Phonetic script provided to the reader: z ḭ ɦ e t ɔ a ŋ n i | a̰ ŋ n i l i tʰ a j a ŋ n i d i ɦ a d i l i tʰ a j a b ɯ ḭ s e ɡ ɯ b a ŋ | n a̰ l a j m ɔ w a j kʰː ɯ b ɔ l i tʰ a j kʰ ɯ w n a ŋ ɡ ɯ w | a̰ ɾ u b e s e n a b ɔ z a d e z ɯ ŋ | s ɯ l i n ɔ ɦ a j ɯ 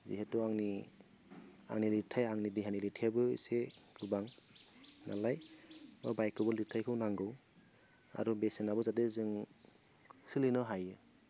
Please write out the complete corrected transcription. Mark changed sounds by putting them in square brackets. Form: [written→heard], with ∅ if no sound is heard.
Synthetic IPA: z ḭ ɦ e t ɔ a ŋ n i | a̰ ŋ n i l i tʰ a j a ŋ n i d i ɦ a [d→n] i l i tʰ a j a b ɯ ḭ s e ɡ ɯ b a ŋ | n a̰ l a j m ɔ [w→b] a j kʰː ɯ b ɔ l i tʰ a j kʰ ɯ w n a ŋ ɡ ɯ w | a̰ ɾ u b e s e n a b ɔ z a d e z ɯ ŋ | s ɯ l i n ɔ ɦ a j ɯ